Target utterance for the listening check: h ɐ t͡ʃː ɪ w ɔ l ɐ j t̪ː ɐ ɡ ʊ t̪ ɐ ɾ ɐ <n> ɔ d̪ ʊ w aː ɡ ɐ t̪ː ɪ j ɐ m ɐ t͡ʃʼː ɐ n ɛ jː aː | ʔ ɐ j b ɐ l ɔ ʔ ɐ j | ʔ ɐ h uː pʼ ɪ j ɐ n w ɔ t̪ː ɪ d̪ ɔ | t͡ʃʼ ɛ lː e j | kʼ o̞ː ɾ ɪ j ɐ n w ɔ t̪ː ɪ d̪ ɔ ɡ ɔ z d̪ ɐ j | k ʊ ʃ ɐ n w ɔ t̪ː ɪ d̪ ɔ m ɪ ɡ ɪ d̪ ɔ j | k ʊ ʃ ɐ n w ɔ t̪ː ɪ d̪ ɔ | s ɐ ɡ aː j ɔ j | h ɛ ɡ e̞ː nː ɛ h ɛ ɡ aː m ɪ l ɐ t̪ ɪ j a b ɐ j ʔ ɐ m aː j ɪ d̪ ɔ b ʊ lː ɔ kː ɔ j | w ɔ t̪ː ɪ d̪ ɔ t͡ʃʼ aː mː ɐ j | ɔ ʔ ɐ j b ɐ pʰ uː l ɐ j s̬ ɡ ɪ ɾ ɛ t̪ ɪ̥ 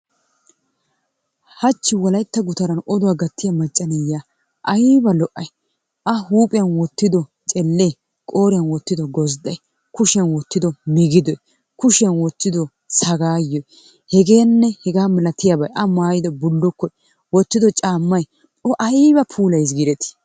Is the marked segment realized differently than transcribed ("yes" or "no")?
no